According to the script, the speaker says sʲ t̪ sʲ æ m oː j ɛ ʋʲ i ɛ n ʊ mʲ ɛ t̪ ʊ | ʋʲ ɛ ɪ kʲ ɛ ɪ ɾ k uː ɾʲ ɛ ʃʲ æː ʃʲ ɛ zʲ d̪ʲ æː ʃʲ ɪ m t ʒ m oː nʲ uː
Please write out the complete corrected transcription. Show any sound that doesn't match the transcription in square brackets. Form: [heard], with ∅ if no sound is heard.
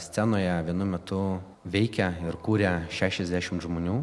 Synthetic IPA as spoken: sʲ t̪ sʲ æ [n] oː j ɛ ʋʲ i ɛ n ʊ mʲ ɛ t̪ ʊ | ʋʲ ɛ ɪ kʲ ɛ ɪ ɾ k uː ɾʲ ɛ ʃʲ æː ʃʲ ɛ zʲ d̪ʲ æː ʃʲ ɪ m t ʒ m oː nʲ uː

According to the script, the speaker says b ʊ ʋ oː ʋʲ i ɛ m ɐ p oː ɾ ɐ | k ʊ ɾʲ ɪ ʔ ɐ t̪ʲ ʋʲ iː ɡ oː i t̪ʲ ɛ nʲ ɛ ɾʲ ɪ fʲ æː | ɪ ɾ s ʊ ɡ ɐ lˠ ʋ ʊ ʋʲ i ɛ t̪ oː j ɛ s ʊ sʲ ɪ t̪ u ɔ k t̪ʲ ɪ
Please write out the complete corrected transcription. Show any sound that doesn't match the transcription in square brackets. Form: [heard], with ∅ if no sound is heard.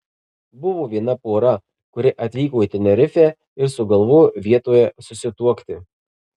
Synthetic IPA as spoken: b ʊ ʋ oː ʋʲ i ɛ [n] ɐ p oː ɾ ɐ | k ʊ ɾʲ ɪ ʔ ɐ t̪ʲ ʋʲ iː [k] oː i t̪ʲ ɛ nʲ ɛ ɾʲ ɪ fʲ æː | ɪ ɾ s ʊ ɡ ɐ lˠ ʋ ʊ ʋʲ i ɛ t̪ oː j ɛ s ʊ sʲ ɪ t̪ u ɔ k t̪ʲ ɪ

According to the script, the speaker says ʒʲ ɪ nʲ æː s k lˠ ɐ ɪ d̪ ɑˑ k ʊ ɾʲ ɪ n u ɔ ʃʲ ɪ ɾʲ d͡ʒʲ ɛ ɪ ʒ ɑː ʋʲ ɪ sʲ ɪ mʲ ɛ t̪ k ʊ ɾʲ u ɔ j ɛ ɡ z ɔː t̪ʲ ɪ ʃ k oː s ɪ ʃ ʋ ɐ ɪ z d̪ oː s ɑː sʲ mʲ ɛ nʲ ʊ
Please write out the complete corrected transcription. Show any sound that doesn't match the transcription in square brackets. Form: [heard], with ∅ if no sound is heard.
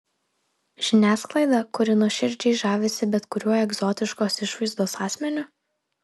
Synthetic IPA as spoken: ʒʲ ɪ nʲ æː s k lˠ ɐ ɪ d̪ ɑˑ k ʊ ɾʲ ɪ n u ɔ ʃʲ ɪ ɾʲ d͡ʒʲ ɛ ɪ ʒ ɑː ʋʲ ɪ sʲ ɪ [bʲ] ɛ t̪ k ʊ ɾʲ u ɔ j ɛ ɡ z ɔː t̪ʲ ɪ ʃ k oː s ɪ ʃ ʋ ɐ ɪ z d̪ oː s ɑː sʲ mʲ ɛ nʲ ʊ

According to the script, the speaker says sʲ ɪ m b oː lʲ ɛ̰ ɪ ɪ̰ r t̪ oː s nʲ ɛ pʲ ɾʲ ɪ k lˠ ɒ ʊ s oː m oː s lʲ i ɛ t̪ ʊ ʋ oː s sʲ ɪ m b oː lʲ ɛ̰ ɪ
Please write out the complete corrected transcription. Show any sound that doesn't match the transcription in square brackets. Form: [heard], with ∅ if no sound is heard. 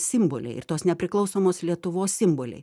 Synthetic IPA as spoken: sʲ ɪ m b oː lʲ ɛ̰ ɪ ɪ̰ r t̪ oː s nʲ ɛ pʲ ɾʲ ɪ k lˠ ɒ ʊ s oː m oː s lʲ i ɛ t̪ ʊ ʋ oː s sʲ ɪ m b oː lʲ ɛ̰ ɪ

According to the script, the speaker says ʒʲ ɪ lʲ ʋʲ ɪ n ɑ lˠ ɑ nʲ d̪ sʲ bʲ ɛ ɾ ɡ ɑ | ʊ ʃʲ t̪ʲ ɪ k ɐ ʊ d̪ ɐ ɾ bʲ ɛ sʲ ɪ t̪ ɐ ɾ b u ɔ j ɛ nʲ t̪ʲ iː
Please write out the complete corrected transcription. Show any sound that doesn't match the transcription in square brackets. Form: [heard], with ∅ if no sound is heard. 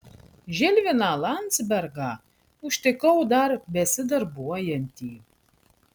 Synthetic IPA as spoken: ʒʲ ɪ lʲ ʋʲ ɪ n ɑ lˠ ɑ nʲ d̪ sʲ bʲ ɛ ɾ ɡ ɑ | ʊ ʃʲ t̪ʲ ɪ k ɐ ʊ d̪ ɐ ɾ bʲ ɛ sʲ ɪ [d̪] ɐ ɾ b u ɔ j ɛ nʲ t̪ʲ iː

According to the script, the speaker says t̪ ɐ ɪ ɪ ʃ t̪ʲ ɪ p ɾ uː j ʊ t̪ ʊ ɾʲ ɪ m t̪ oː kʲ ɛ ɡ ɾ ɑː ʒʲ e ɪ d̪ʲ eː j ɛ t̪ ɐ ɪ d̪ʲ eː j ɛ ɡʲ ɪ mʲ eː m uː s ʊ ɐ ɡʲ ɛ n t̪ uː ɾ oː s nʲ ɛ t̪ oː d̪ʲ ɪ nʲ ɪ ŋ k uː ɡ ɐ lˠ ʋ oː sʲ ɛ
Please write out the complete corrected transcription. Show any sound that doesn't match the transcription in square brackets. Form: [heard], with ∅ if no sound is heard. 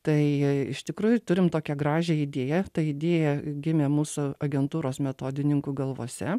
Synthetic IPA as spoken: t̪ ɐ ɪ ɪ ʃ t̪ʲ ɪ [k] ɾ uː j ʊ t̪ ʊ ɾʲ ɪ m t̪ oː kʲ ɛ ɡ ɾ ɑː ʒʲ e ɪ d̪ʲ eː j ɛ t̪ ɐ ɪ d̪ʲ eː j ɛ ɡʲ ɪ mʲ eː m uː s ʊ ɐ ɡʲ ɛ n t̪ uː ɾ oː s [mʲ] ɛ t̪ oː d̪ʲ ɪ nʲ ɪ ŋ k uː ɡ ɐ lˠ ʋ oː sʲ ɛ

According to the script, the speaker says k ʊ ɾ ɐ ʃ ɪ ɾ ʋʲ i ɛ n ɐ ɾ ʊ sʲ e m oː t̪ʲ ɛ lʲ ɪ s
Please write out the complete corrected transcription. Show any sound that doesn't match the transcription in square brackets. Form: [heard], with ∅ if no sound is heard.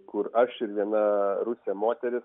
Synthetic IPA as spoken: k ʊ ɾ ɐ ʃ ɪ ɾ ʋʲ i ɛ n ɐ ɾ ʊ sʲ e m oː t̪ʲ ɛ [ɾʲ] ɪ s

